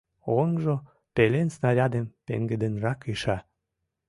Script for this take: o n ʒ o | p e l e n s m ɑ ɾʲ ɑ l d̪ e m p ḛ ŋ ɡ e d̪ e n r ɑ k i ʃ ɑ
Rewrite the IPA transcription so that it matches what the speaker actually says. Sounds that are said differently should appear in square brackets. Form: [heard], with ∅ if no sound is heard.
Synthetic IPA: o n ʒ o | p e l e n s [n] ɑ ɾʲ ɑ [∅] d̪ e m p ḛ ŋ ɡ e d̪ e n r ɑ k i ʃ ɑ